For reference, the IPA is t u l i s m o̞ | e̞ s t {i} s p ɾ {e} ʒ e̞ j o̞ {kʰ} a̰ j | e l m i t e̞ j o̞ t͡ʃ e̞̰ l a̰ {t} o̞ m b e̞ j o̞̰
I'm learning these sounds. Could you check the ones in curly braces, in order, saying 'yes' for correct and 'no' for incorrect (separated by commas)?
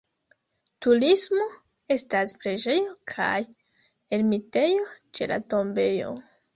no, yes, yes, yes